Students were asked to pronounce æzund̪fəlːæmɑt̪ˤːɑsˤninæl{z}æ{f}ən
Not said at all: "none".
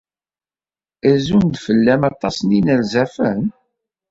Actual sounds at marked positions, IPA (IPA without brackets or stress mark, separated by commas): z, f